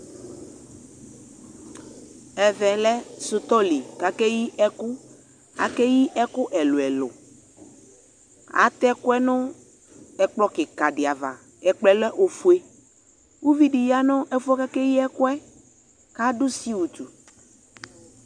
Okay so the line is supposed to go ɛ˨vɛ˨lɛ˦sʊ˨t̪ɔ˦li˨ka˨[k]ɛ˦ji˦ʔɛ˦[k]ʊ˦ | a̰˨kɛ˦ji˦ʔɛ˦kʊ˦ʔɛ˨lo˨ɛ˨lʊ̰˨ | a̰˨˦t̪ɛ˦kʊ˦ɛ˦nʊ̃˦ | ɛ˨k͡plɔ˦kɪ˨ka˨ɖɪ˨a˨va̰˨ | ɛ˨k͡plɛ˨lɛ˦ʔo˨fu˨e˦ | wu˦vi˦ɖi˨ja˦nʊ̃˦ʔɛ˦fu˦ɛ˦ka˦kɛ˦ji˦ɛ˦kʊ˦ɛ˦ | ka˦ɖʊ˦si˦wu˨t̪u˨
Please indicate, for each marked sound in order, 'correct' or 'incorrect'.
correct, correct

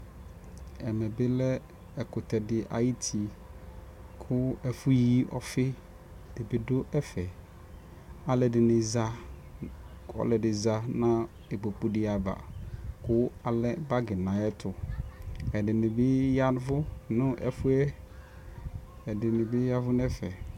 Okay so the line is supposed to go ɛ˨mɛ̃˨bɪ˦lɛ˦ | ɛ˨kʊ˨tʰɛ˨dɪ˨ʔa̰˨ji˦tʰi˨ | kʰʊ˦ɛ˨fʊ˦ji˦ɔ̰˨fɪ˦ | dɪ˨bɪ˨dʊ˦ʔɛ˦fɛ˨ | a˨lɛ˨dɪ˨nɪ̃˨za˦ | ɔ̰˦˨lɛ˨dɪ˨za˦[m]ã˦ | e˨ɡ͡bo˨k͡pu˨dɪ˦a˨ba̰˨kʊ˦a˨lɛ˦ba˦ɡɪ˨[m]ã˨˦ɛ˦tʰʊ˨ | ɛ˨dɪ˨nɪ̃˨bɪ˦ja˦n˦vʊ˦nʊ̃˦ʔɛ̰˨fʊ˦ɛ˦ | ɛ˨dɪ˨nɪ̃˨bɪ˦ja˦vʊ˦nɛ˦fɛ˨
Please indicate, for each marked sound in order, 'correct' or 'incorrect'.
incorrect, incorrect

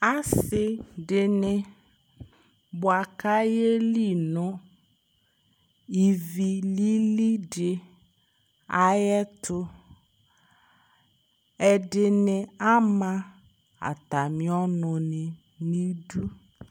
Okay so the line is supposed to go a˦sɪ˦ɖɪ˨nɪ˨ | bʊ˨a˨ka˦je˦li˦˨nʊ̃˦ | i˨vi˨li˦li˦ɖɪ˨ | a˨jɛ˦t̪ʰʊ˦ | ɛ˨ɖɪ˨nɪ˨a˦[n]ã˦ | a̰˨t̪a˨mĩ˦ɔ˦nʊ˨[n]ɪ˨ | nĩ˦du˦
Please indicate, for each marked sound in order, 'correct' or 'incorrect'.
incorrect, correct

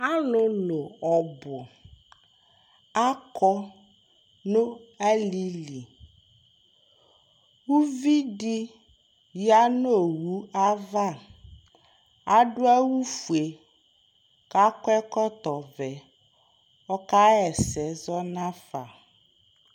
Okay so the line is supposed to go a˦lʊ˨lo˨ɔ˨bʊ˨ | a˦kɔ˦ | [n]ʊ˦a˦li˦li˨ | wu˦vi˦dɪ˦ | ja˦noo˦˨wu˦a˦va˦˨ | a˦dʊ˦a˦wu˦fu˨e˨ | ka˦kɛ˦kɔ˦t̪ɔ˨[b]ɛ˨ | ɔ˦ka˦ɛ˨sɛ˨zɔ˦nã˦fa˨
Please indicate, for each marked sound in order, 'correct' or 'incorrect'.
correct, incorrect

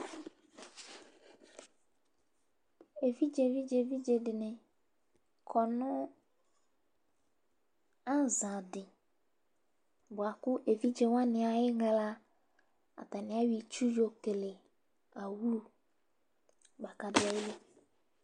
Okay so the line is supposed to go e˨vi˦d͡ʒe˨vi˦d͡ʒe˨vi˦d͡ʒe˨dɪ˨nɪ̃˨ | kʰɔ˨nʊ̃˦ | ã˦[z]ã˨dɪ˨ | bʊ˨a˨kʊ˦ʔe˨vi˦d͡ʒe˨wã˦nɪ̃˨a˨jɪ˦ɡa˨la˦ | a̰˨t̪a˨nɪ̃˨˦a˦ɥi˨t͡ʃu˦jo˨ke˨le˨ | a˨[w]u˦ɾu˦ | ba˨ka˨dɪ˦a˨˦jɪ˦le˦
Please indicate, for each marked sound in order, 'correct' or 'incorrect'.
correct, correct

